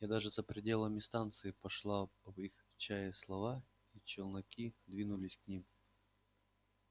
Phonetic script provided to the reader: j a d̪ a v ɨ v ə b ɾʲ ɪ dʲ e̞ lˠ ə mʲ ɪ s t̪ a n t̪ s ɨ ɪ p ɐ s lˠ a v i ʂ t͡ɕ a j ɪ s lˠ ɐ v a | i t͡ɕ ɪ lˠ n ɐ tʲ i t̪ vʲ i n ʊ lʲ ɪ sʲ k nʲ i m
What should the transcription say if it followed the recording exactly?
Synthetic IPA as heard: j a d̪ a ʐ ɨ z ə p ɾʲ ɪ dʲ e̞ lˠ ə mʲ ɪ s t̪ a n t̪ s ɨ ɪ p ɐ ʂ lˠ a v i x t͡ɕ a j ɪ s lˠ ɐ v a | i t͡ɕ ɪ lˠ n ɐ kʲ i d̪ vʲ i n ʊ lʲ ɪ sʲ k nʲ i m